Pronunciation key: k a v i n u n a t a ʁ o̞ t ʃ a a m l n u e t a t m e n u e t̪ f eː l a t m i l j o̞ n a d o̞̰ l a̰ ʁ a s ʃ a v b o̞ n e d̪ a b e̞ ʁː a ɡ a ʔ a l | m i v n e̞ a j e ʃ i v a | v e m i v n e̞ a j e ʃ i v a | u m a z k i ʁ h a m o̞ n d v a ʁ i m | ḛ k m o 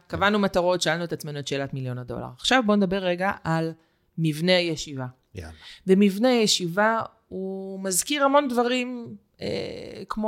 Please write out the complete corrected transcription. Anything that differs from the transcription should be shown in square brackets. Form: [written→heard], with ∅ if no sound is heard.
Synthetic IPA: k a v [i→a] n u [n→m] a t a ʁ o̞ t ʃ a a [m→∅] l n u e t a [t→t͡s] m e n u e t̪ [f→ʃ] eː l a t m i l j o̞ n a d o̞̰ l a̰ ʁ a [s→χ] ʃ a v b o̞ n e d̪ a b e̞ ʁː [a→e] ɡ a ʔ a l | m i v n e̞ a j e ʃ i v a | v e m i v n e̞ a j e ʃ i v a | u m a z k i ʁ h a m o̞ n d v a ʁ i m | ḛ k m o